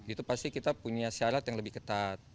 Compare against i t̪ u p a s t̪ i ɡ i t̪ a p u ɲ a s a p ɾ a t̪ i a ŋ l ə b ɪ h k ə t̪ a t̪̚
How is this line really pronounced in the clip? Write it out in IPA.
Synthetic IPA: i t̪ u p a s t̪ i k i t̪ a p u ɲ a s a ɾ a t̪ j a ŋ l ə b ɪ h k ə t̪ a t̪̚